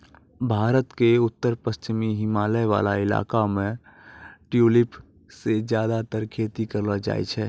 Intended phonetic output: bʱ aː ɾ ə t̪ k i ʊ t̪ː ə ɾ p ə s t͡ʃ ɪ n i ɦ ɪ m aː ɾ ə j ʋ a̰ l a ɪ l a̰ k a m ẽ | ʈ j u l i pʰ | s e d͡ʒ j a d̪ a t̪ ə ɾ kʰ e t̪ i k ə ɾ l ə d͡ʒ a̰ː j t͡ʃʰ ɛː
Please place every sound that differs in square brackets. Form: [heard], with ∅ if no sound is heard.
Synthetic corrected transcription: bʱ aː ɾ ə t̪ k [e] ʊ t̪ː ə ɾ p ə s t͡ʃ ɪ [m] i ɦ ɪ m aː [l] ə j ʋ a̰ l a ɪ l a̰ k a m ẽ | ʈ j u l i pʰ | s e d͡ʒ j a d̪ a t̪ ə ɾ kʰ e t̪ i k ə ɾ l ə d͡ʒ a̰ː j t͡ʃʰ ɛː